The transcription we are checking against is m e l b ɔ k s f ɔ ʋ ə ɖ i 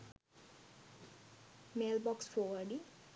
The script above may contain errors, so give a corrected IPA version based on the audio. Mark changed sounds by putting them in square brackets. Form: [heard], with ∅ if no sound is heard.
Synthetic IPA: m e l b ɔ k s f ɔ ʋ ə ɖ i

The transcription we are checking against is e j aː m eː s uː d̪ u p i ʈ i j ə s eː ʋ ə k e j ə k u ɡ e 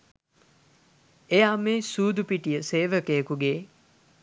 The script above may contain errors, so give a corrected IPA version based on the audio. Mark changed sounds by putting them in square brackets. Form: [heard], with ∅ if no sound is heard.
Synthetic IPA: e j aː m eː s uː d̪ u p i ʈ i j ə s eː ʋ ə k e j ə k u ɡ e

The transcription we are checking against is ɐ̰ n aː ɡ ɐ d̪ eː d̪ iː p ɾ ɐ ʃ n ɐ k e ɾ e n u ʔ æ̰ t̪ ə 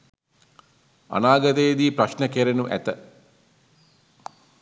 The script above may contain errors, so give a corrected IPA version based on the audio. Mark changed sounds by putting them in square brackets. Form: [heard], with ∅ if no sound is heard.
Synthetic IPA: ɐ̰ n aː ɡ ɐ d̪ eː d̪ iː p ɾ ɐ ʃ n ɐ k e ɾ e n u ʔ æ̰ t̪ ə

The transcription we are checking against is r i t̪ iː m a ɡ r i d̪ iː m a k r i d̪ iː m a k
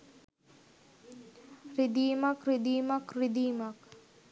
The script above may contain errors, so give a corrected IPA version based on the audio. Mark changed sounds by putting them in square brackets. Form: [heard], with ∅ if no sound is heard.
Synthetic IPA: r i [d̪] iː m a [k] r i d̪ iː m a k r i d̪ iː m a k

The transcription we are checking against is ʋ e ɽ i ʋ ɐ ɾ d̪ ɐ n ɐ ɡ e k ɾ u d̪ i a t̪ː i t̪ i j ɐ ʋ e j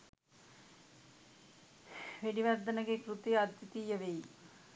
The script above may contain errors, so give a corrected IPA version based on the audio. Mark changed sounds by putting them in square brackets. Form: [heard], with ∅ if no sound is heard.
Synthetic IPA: ʋ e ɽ i ʋ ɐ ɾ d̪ ɐ n ɐ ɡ e k ɾ u [t̪] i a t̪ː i t̪ i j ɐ ʋ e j

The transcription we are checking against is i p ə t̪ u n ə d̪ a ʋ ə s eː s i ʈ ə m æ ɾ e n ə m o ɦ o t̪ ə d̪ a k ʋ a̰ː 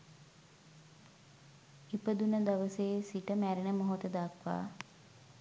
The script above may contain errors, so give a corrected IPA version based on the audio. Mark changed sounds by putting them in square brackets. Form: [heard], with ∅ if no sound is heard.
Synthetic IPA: i p ə [d̪] u n ə d̪ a ʋ ə s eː s i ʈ ə m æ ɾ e n ə m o ɦ o t̪ ə d̪ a k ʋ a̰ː

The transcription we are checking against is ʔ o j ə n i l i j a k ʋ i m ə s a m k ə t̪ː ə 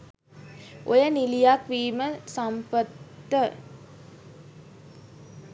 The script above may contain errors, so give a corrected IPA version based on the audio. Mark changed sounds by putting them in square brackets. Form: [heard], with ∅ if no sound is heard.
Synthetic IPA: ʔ o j ə n i l i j a k ʋ [iː] m ə s a m [p] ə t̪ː ə

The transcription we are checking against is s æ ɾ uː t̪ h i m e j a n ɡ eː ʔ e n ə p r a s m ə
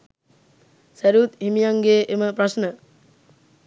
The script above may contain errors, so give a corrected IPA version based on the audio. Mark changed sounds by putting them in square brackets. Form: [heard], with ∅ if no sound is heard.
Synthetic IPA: s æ ɾ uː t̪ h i m [i] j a [ŋ] ɡ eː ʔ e [m] ə p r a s [n] ə

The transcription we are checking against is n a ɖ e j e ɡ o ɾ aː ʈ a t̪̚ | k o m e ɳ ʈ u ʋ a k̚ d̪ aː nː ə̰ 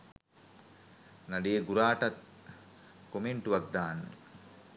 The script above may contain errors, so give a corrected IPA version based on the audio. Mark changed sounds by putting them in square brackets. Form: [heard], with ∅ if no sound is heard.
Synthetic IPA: n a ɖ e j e ɡ [u] ɾ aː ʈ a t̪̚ | k o m e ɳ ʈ u ʋ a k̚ d̪ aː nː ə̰

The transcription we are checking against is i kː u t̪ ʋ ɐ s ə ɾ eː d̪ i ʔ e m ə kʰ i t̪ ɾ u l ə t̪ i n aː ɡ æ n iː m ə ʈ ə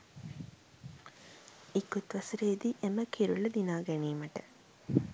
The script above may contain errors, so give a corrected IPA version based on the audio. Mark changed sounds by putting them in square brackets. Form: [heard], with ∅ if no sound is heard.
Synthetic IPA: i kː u t̪ ʋ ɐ s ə ɾ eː d̪ i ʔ e m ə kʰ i [∅] ɾ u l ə [d̪] i n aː ɡ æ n iː m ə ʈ ə

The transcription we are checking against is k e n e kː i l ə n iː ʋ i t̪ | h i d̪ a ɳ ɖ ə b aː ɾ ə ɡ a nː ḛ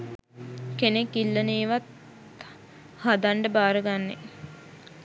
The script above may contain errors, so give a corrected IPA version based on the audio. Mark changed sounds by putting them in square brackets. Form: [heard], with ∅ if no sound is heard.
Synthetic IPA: k e n e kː i [lː] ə n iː ʋ [a] t̪ | h [a] d̪ a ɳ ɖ ə b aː ɾ ə ɡ a nː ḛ

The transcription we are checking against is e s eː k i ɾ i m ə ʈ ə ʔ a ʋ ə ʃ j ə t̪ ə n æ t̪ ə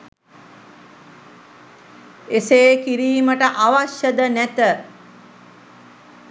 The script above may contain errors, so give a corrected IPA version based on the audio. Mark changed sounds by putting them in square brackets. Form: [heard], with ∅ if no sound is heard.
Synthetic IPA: e s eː k i ɾ [iː] m ə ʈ ə ʔ a ʋ [a] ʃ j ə [d̪] ə n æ t̪ ə

